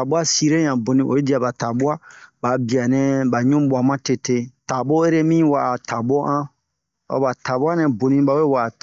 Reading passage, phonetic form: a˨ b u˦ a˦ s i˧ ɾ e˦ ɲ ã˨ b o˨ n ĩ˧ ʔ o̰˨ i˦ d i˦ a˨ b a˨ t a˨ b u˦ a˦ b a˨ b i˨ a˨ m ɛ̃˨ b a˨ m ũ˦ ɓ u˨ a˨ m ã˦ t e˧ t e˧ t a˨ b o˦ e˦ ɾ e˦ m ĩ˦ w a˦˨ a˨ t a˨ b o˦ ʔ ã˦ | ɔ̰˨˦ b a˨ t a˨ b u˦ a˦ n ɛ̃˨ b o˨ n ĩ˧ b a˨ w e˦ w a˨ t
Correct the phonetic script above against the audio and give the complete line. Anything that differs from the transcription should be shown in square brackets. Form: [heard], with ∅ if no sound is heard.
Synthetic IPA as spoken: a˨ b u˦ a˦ s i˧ ɾ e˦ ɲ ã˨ b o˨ n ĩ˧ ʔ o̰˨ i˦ d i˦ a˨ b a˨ t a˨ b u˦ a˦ b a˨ b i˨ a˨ [n] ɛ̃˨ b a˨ [ɲ] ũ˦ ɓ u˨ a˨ m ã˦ t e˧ t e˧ t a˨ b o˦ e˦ ɾ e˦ m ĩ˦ w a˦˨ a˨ t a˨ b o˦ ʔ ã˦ | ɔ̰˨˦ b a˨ t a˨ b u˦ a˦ n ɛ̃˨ b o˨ n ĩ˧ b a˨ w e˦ w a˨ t